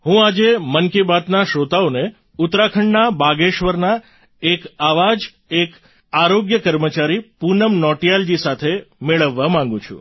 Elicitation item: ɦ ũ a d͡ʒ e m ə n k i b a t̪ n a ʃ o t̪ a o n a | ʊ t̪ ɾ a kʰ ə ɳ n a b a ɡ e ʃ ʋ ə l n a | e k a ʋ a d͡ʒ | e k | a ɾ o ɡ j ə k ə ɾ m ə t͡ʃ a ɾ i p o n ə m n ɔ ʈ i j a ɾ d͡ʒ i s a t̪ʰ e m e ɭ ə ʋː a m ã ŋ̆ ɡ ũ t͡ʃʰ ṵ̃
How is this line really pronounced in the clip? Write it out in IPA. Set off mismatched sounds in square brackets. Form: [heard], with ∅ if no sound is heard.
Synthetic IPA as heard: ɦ ũ a d͡ʒ e m ə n k i b a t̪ n a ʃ o t̪ a o n [e] | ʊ t̪ ɾ a kʰ ə ɳ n a b a ɡ e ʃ ʋ ə [ɾ] n a | e k a ʋ a d͡ʒ | e k | a ɾ o ɡ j ə k ə ɾ m ə t͡ʃ a ɾ i p [u] n ə m n ɔ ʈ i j a [l] d͡ʒ i s a t̪ʰ e m e ɭ ə ʋː a m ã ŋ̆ ɡ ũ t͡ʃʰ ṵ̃

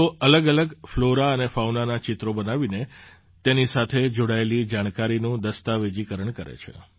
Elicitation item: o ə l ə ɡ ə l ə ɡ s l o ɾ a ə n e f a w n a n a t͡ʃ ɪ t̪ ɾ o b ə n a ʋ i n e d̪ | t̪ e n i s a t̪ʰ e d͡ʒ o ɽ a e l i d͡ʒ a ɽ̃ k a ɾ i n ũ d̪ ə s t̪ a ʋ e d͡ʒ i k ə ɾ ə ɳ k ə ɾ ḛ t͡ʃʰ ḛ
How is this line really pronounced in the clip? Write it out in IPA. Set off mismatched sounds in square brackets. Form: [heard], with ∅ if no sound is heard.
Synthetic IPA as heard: o ə l ə ɡ ə l ə ɡ [f] l o ɾ a ə n e f a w n a n a t͡ʃ ɪ t̪ ɾ o b ə n a ʋ i n e [∅] | t̪ e n i s a t̪ʰ e d͡ʒ o ɽ a e l i d͡ʒ a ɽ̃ k a ɾ i n ũ d̪ ə s t̪ a ʋ e d͡ʒ i k ə ɾ ə ɳ k ə ɾ ḛ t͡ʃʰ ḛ

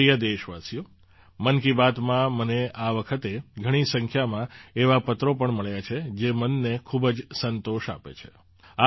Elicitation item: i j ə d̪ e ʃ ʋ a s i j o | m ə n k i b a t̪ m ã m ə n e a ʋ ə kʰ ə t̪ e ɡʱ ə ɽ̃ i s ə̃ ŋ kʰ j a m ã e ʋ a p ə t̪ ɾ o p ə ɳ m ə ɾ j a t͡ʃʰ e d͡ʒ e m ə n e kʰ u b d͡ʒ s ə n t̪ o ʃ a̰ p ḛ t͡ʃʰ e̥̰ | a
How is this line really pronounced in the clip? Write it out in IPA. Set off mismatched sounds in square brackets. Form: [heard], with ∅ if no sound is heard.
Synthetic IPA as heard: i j ə d̪ e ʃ ʋ a s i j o | m ə n k i b a t̪ m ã m ə n e a ʋ ə kʰ ə t̪ e ɡʱ ə ɽ̃ i s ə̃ ŋ kʰ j a m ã e ʋ a p ə t̪ ɾ o p ə ɳ m ə [ɭ] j a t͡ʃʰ e d͡ʒ e m ə [nː] e kʰ u b d͡ʒ s ə n t̪ o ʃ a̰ p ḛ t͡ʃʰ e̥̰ | a

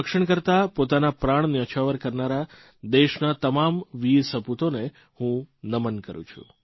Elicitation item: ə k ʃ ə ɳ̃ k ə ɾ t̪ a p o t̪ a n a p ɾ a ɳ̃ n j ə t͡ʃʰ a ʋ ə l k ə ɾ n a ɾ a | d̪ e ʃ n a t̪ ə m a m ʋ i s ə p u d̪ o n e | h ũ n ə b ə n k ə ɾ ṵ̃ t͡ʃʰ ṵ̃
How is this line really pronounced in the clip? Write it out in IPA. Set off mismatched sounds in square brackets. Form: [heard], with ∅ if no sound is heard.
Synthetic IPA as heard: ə k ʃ ə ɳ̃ k ə ɾ t̪ a p o t̪ a n a p ɾ a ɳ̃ n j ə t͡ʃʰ a ʋ ə [ɾ] k ə ɾ n a ɾ a | d̪ e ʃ n a t̪ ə m a m ʋ i s ə p u [t̪] o n e | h ũ n ə [m] ə n k ə ɾ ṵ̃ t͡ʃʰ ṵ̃

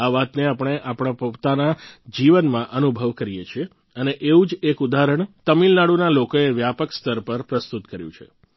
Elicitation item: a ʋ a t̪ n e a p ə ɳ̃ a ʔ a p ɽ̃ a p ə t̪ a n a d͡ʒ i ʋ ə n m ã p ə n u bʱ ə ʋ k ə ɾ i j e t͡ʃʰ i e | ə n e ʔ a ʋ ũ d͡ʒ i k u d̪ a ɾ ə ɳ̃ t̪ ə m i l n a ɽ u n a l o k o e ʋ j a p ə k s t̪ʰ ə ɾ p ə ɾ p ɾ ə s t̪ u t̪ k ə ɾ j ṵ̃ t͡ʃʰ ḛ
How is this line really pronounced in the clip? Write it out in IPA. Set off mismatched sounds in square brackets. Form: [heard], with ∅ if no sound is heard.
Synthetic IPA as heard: a ʋ a t̪ n e a p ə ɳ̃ [e] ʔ a p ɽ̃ a p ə t̪ a n a d͡ʒ i ʋ ə n m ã [ʔ] ə n u bʱ ə ʋ k ə ɾ i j e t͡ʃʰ i e | ə n e ʔ [e] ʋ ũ d͡ʒ [e] k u d̪ a ɾ ə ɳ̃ t̪ ə m i l n a ɽ u n a l o k o e ʋ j a p ə k s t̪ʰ ə ɾ p ə ɾ p ɾ ə s t̪ u t̪ k ə ɾ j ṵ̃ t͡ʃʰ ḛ

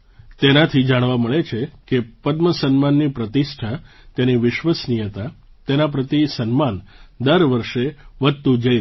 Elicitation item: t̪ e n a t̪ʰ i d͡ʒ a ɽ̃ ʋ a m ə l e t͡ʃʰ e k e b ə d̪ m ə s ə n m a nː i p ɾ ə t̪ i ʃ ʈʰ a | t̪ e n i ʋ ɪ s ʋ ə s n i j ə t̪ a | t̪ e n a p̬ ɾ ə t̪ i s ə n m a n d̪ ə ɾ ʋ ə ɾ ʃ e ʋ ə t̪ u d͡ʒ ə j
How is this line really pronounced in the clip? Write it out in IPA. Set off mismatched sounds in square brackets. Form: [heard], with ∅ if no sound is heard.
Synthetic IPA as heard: t̪ e n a t̪ʰ i d͡ʒ a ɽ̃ ʋ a m ə [ɭ] e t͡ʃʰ e k e [p] ə d̪ m ə s ə n m a nː i p ɾ ə t̪ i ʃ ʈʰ a | t̪ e n i ʋ ɪ [ʃ] ʋ ə s n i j ə t̪ a | t̪ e n a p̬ ɾ ə t̪ i s ə n m a n d̪ ə ɾ ʋ ə ɾ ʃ e ʋ ə t̪ u d͡ʒ ə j

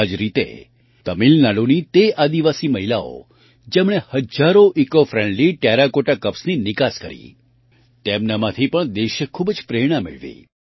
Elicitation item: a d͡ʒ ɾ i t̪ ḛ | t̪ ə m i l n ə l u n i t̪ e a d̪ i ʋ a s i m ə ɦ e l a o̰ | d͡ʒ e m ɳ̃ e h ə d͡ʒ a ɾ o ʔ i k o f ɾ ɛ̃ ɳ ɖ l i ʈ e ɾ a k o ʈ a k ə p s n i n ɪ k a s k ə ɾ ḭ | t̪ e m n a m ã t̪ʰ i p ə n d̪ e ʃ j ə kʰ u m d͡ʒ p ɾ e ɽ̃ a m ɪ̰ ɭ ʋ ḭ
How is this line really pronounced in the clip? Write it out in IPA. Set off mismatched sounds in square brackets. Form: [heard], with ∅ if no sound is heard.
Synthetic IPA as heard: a d͡ʒ ɾ i t̪ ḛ | t̪ ə m i l n [a] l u n i t̪ e a d̪ i ʋ a s i m ə ɦ [i] l a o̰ | d͡ʒ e m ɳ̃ e h ə d͡ʒ a ɾ o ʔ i k o f ɾ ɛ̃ ɳ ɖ l i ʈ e ɾ a k o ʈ a k ə p s n i n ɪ k a s k ə ɾ ḭ | t̪ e m n a m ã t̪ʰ i p ə [ɳ] d̪ e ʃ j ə kʰ u [b] d͡ʒ p ɾ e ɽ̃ a m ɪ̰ ɭ ʋ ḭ

